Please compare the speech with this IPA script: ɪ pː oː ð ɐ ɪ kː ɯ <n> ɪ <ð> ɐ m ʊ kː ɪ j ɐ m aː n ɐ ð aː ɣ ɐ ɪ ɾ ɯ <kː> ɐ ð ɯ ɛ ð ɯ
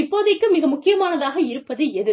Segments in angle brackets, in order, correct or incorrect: incorrect: m, incorrect: ɣ, incorrect: pː

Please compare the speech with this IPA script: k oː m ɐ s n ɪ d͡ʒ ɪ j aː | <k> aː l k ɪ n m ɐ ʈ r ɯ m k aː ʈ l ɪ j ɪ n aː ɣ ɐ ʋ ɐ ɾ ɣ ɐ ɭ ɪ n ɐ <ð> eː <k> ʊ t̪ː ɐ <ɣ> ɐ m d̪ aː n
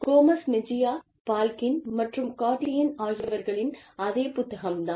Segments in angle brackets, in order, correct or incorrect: incorrect: p, correct, incorrect: p, correct

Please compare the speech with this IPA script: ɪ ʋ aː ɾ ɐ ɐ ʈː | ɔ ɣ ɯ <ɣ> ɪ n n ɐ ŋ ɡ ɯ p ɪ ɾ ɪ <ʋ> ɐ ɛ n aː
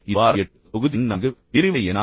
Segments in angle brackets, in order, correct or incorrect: incorrect: ð, correct

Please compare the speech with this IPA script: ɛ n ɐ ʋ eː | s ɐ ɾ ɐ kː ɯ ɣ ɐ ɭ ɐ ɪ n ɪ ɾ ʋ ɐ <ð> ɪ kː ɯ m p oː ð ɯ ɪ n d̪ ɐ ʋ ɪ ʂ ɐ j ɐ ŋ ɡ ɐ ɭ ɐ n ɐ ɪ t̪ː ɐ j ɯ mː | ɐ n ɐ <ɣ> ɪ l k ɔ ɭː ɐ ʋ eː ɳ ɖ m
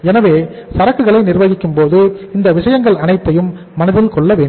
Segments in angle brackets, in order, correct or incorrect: incorrect: ɣ, incorrect: ð

